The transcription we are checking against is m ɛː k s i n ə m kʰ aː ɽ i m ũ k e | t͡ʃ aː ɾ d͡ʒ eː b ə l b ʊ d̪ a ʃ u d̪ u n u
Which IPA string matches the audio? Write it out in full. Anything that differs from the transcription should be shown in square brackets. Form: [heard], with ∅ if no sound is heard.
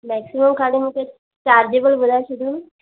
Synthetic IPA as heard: m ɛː k s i [m] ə m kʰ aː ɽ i m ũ k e | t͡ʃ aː ɾ d͡ʒ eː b ə l b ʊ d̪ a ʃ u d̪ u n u